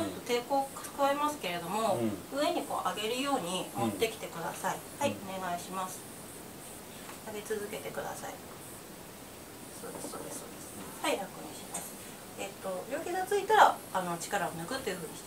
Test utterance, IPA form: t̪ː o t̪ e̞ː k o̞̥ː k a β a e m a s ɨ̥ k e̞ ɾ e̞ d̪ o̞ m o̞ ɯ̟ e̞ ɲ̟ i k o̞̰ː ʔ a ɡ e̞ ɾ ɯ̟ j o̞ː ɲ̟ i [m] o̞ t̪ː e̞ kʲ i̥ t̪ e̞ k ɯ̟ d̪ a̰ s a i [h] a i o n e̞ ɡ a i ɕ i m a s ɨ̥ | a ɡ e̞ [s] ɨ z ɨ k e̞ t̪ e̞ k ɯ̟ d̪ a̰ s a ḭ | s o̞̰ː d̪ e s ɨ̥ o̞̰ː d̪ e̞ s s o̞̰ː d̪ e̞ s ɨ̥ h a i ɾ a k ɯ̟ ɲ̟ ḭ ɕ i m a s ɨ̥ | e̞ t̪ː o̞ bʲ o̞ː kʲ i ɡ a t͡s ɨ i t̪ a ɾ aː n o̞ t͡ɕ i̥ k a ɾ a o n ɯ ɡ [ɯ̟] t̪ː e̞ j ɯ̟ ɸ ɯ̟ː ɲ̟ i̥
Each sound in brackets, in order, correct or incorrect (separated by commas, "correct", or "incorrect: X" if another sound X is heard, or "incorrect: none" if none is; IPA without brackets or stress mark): correct, correct, incorrect: t͡s, correct